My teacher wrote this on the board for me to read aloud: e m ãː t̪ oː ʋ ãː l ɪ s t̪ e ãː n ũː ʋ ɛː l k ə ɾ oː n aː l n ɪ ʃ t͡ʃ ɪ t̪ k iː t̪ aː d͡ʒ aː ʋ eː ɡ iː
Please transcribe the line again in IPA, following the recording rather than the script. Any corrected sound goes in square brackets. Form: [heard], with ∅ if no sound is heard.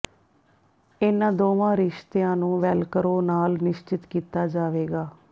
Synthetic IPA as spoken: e [n] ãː [d̪] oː ʋ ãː [ɾ] ɪ [ʃ] t̪ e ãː n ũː ʋ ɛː l k ə ɾ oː n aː l n ɪ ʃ t͡ʃ ɪ t̪ k iː t̪ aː d͡ʒ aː ʋ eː ɡ [aː]